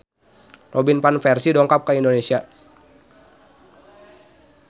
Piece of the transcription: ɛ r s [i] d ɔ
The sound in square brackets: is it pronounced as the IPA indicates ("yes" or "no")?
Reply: yes